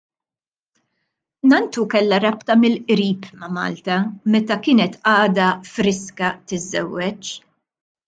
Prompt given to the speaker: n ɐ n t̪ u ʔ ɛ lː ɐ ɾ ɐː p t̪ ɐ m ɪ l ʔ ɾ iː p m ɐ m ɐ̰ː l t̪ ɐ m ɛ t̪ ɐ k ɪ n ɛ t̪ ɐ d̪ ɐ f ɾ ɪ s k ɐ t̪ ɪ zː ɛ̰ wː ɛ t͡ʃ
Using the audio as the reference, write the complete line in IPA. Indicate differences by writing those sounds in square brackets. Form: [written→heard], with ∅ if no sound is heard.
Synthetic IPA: n ɐ n t̪ u [ʔ→k] ɛ lː ɐ ɾ [ɐː→ɐ] p t̪ ɐ m ɪ l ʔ ɾ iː p m ɐ m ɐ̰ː l t̪ ɐ m ɛ t̪ ɐ k [ɪ→ɪː] n ɛ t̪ [ɐ→ɐː] d̪ ɐ f ɾ ɪ s k ɐ t̪ ɪ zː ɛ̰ wː ɛ t͡ʃ

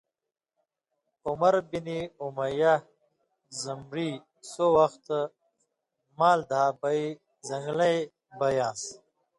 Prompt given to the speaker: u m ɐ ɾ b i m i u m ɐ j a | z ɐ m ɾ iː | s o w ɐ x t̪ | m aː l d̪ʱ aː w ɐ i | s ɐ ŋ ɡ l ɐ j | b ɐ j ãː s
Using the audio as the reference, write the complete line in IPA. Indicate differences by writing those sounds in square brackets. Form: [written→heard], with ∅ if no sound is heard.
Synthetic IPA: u m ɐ ɾ b i [m→n] i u m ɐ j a | z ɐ m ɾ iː | s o w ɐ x t̪ | m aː l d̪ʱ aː [w→b] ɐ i | [s→z] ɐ ŋ ɡ l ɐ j | b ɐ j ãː s

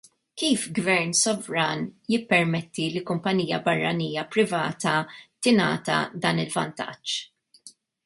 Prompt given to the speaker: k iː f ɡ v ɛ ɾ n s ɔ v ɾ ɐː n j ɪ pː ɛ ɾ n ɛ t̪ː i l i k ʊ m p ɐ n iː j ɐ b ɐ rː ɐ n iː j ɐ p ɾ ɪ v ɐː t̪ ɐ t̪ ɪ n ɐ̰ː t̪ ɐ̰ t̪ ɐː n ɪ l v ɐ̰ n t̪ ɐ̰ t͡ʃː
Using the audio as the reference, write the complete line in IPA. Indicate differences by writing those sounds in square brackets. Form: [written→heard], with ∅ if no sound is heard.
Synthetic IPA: k iː f ɡ v ɛ ɾ n s ɔ v ɾ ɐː n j ɪ pː ɛ ɾ [n→m] ɛ t̪ː i l i k ʊ m p ɐ n iː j ɐ b ɐ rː ɐ n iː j ɐ p ɾ ɪ v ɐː t̪ ɐ t̪ ɪ n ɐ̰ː t̪ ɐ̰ [t̪→d̪] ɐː n ɪ l v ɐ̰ n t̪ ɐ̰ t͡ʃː

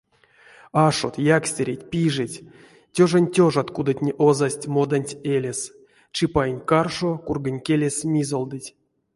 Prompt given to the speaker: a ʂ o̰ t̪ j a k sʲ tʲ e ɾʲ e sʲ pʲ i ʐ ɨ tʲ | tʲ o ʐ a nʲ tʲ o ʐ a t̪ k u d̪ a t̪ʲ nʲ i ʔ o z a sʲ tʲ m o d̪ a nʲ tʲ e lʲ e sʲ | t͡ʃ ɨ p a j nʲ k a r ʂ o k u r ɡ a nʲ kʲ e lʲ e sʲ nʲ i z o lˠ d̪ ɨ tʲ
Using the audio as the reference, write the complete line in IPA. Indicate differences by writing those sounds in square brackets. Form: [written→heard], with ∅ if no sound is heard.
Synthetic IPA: a ʂ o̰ t̪ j a k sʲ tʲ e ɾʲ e [sʲ→tʲ] pʲ i ʐ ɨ tʲ | tʲ o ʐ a nʲ tʲ o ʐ a t̪ k u d̪ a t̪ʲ nʲ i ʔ o z a sʲ tʲ m o d̪ a nʲ tʲ e lʲ e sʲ | t͡ʃ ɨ p a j nʲ k a r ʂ o k u r ɡ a nʲ kʲ e lʲ e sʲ [nʲ→mʲ] i z o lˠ d̪ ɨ tʲ

